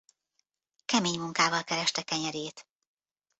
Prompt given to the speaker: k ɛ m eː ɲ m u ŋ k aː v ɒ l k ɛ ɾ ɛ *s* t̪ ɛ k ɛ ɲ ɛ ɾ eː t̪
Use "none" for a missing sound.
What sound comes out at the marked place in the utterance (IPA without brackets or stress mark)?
ʃ